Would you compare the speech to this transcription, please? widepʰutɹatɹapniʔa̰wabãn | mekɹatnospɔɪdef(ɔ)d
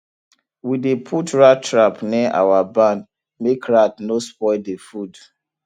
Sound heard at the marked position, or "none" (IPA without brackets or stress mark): u